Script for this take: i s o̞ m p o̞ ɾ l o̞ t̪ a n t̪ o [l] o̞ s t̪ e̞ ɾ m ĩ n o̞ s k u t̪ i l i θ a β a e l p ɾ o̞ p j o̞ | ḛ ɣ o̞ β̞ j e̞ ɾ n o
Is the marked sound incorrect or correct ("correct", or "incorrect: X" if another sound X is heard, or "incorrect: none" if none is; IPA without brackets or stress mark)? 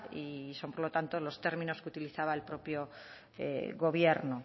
correct